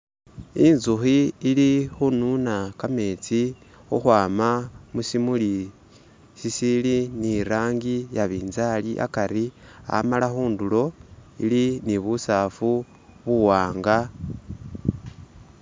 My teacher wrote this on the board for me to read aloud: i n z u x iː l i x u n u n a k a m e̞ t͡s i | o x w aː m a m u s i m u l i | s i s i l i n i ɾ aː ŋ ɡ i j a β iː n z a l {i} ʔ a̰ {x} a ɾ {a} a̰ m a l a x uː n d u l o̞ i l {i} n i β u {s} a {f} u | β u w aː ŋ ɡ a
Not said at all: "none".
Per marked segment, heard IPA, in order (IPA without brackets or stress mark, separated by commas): i, k, i, i, s, f